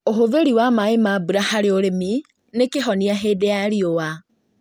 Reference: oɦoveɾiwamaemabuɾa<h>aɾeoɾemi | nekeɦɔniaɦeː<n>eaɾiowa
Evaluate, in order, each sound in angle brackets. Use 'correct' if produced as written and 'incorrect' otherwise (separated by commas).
correct, incorrect